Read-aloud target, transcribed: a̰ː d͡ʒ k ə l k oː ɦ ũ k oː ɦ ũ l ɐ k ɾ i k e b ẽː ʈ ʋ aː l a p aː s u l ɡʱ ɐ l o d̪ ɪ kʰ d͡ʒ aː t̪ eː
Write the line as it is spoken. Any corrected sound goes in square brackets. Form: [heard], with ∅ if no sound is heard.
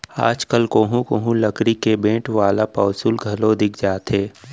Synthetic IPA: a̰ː d͡ʒ k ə l k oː ɦ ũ k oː ɦ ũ l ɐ k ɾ i k e b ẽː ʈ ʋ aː l a p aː s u l ɡʱ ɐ l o d̪ ɪ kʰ d͡ʒ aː t̪ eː